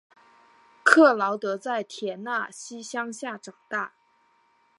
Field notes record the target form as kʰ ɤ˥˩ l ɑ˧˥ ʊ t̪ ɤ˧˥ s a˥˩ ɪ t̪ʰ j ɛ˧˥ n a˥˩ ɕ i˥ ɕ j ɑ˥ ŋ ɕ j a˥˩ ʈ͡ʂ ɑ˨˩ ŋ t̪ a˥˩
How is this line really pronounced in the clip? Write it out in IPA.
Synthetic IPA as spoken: kʰ ɤ˥˩ l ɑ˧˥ ʊ t̪ ɤ˧˥ t͡s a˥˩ ɪ t̪ʰ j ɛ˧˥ n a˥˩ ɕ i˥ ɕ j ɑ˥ ŋ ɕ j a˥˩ ʈ͡ʂ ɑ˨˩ ŋ t̪ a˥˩

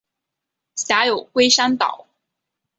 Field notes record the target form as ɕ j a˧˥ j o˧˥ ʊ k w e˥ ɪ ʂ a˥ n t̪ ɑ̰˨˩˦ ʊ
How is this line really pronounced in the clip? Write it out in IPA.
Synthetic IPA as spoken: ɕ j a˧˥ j o˨˩ ʊ k w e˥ ɪ ʂ a˥ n t̪ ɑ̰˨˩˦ ʊ

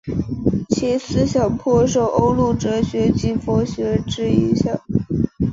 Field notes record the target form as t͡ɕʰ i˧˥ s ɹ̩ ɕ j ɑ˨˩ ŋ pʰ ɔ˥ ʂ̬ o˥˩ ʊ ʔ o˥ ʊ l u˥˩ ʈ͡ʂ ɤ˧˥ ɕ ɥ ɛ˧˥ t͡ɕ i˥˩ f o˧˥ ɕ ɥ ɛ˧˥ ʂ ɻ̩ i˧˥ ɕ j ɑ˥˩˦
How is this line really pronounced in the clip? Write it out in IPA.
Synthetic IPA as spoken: t͡ɕʰ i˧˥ s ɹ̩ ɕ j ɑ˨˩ ŋ pʰ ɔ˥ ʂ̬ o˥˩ ʊ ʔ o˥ ʊ l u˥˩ ʈ͡ʂ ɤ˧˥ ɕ ɥ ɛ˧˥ t͡ɕ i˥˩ f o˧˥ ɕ ɥ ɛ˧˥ ʈ͡ʂ ɻ̩ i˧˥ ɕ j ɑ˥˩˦

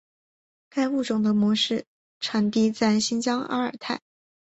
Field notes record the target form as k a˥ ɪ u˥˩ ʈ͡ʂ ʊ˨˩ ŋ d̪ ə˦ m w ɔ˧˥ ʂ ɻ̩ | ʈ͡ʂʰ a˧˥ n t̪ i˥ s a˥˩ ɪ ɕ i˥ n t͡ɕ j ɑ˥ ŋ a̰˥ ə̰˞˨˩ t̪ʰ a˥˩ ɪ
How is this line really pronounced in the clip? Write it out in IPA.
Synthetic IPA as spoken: k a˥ ɪ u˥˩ ʈ͡ʂ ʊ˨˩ ŋ d̪ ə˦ m w ɔ˧˥ ʂ ɻ̩ | ʈ͡ʂʰ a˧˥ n t̪ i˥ t͡s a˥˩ ɪ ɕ i˥ n t͡ɕ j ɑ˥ ŋ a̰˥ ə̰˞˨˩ t̪ʰ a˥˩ ɪ

